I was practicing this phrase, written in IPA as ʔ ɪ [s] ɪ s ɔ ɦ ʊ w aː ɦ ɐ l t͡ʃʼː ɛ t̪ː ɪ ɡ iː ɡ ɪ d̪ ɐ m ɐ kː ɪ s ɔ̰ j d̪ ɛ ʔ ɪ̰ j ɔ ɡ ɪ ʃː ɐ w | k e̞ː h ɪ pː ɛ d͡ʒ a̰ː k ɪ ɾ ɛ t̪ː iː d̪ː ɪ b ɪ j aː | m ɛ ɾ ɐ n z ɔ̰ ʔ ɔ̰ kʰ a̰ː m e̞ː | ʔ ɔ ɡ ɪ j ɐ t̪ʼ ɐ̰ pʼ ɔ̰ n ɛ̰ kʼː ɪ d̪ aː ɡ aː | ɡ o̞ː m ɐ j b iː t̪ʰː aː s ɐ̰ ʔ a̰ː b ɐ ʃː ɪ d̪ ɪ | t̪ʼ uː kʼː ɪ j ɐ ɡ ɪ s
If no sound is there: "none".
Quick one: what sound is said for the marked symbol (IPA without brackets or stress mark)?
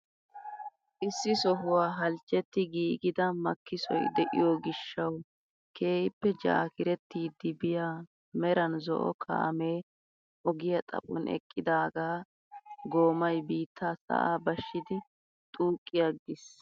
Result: sː